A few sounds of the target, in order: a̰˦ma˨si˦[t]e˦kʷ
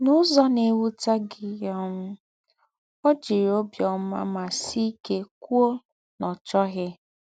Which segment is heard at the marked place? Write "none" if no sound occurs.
k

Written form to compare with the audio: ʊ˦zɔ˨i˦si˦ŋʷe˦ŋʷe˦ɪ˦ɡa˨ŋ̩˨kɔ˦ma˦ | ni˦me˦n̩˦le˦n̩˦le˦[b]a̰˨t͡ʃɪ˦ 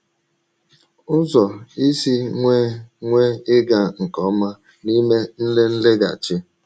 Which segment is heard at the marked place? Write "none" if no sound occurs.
ɡ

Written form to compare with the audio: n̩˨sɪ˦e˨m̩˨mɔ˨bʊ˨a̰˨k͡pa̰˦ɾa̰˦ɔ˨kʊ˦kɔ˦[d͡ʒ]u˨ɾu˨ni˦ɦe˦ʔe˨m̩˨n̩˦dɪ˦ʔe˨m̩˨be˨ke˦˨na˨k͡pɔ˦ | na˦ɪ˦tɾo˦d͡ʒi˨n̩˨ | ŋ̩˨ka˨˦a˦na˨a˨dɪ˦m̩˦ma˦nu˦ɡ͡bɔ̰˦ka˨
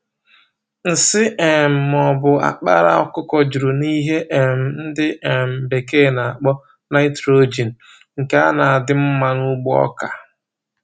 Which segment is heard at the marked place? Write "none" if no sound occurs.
d͡ʒ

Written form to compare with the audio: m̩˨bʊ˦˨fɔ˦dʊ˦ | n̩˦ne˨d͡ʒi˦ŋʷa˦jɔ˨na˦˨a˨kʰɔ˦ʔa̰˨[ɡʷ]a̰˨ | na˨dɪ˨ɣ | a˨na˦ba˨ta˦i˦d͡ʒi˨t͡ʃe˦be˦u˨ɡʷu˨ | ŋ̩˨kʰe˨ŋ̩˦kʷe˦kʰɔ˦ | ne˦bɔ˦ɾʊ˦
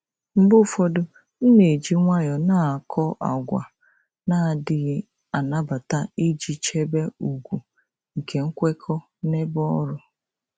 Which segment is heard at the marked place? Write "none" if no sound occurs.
ɡʷ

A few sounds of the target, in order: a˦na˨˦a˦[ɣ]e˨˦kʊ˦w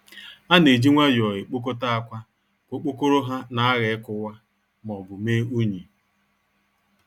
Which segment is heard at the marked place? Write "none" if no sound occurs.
ɣ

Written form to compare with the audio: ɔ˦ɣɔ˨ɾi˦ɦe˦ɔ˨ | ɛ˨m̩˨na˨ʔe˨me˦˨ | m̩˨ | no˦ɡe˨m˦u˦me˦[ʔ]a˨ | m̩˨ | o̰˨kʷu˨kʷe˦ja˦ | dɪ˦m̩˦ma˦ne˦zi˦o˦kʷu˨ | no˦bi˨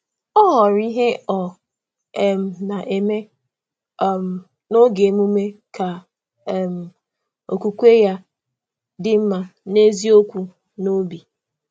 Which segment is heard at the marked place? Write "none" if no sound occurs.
k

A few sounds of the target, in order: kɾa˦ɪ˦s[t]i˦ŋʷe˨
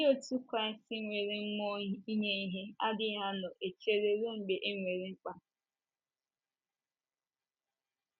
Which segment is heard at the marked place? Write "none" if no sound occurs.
t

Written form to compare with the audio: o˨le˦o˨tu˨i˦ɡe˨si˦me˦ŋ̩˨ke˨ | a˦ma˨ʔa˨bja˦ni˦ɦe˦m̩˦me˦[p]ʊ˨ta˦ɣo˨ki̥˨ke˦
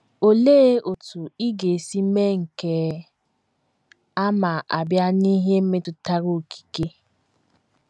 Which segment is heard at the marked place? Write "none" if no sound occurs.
t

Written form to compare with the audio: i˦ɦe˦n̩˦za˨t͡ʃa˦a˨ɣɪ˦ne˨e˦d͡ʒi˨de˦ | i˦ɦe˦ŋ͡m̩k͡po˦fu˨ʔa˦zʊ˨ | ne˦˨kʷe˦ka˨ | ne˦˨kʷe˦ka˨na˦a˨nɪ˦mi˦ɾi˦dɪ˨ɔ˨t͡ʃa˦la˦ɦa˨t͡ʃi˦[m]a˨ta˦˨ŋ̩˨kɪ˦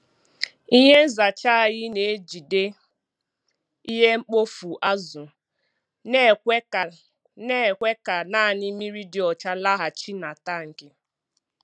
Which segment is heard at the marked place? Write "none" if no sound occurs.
n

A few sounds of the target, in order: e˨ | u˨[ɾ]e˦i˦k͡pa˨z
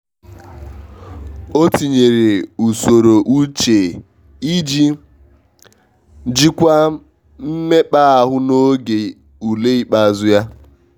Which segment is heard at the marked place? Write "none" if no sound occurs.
l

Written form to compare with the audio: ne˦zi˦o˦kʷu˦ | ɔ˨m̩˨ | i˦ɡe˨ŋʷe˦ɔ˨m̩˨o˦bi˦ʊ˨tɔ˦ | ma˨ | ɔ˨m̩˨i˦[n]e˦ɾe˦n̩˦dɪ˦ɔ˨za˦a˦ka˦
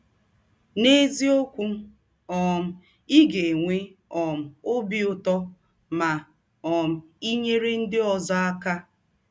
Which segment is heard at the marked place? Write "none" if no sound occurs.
ɲ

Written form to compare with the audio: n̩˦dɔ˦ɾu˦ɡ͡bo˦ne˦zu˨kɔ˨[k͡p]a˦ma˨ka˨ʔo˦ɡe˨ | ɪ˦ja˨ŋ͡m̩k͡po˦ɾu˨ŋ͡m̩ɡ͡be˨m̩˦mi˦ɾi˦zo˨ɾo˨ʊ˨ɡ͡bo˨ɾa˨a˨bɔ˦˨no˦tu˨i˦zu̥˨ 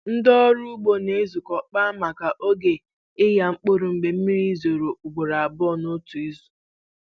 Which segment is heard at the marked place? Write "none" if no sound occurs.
k͡p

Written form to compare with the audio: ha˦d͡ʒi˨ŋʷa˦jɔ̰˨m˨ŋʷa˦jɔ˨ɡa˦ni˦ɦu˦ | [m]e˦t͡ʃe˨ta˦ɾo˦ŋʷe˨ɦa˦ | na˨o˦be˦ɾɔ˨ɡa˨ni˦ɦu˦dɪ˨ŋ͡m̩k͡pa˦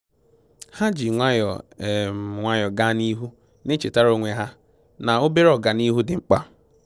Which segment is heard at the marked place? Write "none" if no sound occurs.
n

